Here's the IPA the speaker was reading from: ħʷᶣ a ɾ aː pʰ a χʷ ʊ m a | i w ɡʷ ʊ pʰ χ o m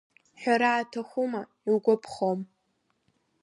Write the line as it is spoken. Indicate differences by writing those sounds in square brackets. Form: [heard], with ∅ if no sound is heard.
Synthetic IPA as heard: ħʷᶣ a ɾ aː [tʰ] a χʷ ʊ m a | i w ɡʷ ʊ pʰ χ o m